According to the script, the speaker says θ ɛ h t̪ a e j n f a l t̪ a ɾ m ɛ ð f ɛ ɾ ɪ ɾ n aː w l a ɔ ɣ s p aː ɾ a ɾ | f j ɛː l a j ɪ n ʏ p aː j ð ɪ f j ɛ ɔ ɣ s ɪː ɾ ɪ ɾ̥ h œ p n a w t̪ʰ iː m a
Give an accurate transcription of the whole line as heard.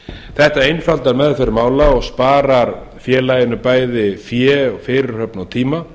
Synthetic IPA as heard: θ ɛ h t̪ a e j n f a l t̪ a ɾ m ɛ ð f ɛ ɾ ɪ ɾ m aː w l a ɔ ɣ s p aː ɾ a ɾ | f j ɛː l a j ɪ n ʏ p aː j ð ɪ f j ɛ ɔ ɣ f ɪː ɾ ɪ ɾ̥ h œ p n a w t̪ʰ iː m a

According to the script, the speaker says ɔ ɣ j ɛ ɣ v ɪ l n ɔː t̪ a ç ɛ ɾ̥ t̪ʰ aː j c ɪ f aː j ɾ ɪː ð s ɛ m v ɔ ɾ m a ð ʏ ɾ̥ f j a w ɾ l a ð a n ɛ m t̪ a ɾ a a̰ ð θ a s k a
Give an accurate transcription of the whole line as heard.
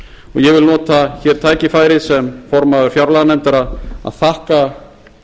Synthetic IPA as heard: ɔ ɣ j ɛ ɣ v ɪ l n ɔː t̪ a ç ɛ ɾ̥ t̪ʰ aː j c ɪ f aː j ɾ ɪ ð s ɛ m f ɔ ɾ m a ð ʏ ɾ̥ f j a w ɾ l a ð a n ɛ m t̪ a ɾ a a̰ ð θ a h k a

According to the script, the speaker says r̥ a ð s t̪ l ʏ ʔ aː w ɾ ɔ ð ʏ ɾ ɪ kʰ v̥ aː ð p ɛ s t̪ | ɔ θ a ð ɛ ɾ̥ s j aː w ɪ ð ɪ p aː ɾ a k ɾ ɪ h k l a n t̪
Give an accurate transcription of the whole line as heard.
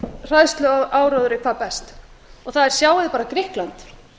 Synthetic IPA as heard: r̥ a ð s t̪ l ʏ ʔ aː w ɾ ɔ ð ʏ ɾ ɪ kʰ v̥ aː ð p ɛ s t̪ | ɔ θ a ð ɛ ɾ̥ s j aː w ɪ ð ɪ p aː ɾ a k ɾ ɪ h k l a n t̪

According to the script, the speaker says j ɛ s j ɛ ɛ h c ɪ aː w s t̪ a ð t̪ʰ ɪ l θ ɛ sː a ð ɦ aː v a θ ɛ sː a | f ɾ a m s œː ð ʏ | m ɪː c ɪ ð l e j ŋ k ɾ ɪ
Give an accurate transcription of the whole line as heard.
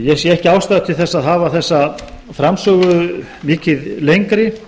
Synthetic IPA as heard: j ɛ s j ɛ ɛ h c ɪ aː w s t̪ a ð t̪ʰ ɪ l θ ɛ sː a ð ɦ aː v a θ ɛ sː a | f ɾ a m s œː ɣ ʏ | m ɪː c ɪ ð l e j ŋ k ɾ ɪ

